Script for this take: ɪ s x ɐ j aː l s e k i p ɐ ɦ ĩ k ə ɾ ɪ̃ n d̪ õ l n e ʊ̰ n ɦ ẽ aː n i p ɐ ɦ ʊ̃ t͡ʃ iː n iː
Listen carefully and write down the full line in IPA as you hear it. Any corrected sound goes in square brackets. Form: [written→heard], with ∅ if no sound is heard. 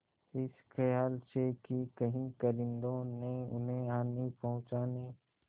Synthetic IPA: ɪ s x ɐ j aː l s e k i [p→k] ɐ ɦ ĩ k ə ɾ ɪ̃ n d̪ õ [l→∅] n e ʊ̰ n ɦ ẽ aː n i p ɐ ɦ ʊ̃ t͡ʃ [iː→aː] n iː

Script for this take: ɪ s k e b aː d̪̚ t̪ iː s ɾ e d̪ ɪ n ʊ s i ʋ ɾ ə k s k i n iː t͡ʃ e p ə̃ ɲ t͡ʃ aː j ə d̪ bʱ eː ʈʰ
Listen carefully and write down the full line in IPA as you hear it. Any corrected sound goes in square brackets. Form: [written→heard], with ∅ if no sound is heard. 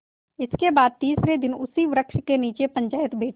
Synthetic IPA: ɪ s k e b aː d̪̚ t̪ iː s ɾ e d̪ ɪ n ʊ s i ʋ ɾ ə k [s→ʃ] k [i→e] n iː t͡ʃ e p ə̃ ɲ t͡ʃ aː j ə [d̪→t̪] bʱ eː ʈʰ

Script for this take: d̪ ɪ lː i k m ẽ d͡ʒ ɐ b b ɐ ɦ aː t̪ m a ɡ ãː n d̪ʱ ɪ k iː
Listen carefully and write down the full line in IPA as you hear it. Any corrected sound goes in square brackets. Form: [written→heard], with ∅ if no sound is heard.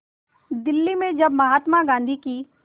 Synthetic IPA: d̪ ɪ lː i [k→∅] m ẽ d͡ʒ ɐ b [b→m] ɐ ɦ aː t̪ m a ɡ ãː n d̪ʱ [ɪ→i] k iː

